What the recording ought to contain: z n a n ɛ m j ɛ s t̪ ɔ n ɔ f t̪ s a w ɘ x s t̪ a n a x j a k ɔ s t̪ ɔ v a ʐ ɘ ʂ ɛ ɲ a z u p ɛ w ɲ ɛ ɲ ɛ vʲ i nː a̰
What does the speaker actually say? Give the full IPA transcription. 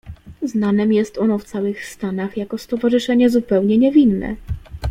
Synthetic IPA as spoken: z n a n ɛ m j ɛ s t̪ ɔ n ɔ f t̪ s a w ɘ x s t̪ a n a x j a k ɔ s t̪ ɔ v a ʐ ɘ ʂ ɛ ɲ ɛ z u p ɛ w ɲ ɛ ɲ ɛ vʲ i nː ɛ̰